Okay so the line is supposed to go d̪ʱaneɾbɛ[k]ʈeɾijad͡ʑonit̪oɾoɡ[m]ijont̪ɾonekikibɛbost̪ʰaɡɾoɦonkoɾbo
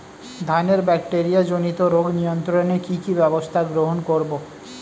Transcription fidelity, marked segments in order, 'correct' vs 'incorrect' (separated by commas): correct, incorrect